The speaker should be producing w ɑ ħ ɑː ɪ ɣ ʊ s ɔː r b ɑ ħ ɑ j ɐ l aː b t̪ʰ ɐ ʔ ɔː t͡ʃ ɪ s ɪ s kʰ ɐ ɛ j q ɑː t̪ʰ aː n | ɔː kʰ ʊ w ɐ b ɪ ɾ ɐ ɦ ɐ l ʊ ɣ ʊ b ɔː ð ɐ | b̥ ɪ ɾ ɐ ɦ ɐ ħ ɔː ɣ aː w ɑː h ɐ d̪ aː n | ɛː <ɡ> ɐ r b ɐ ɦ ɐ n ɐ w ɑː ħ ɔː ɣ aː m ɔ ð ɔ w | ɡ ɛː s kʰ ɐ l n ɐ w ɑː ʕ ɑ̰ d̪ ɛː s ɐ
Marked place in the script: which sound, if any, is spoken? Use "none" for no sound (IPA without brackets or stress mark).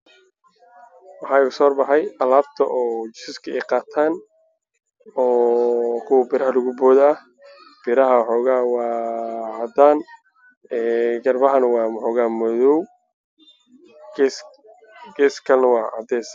ɡ